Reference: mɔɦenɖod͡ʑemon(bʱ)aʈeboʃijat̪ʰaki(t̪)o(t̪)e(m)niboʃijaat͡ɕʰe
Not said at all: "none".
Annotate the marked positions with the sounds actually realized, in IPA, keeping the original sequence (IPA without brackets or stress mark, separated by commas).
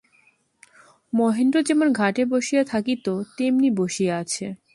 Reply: ɡʱ, t̪, t̪, m